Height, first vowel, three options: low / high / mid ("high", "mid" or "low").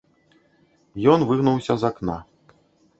mid